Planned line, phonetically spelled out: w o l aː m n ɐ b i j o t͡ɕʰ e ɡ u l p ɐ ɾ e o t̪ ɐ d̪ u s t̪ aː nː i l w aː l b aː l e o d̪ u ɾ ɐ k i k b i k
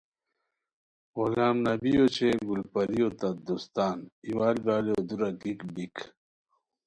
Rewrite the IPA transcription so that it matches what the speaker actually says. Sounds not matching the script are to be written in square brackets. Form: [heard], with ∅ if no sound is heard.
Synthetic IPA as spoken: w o l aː m n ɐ b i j o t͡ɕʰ e ɡ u l p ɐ ɾ [i] o t̪ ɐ d̪ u s t̪ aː [n] i [∅] w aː l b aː l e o d̪ u ɾ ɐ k i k b i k